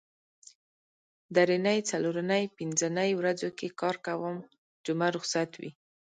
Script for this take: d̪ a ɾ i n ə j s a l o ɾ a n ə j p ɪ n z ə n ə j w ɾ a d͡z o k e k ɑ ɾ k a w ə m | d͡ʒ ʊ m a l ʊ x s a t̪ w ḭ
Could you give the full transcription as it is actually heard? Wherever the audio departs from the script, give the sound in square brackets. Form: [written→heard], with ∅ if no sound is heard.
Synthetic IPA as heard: d̪ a ɾ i n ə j [s→t͡s] a l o ɾ a n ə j p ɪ n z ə n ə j w ɾ a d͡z o k e k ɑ ɾ k a w ə m | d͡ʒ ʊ m a [l→ɾ] ʊ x s a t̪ w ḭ